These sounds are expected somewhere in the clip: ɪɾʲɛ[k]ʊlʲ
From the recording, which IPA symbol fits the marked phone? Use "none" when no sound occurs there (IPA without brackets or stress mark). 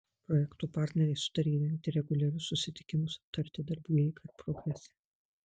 ɡ